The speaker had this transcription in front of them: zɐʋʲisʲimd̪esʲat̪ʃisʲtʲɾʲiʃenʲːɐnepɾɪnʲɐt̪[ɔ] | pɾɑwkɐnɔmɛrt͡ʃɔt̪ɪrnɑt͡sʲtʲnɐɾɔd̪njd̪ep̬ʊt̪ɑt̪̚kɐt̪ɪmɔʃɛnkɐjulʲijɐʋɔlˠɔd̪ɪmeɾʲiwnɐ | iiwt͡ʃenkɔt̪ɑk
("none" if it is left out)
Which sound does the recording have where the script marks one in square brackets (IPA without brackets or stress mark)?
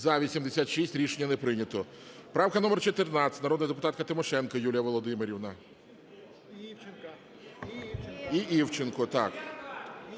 ɔ